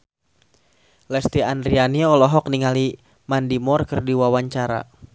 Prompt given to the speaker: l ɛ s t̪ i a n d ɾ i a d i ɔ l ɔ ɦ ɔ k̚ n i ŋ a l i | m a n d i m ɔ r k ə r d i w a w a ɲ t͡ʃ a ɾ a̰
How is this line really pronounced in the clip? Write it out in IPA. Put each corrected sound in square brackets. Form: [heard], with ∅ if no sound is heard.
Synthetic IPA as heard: l ɛ s t̪ i a n d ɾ i a [n] i ɔ l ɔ ɦ ɔ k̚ n i ŋ a l i | m a n d i m ɔ r k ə r d i w a w a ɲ t͡ʃ a ɾ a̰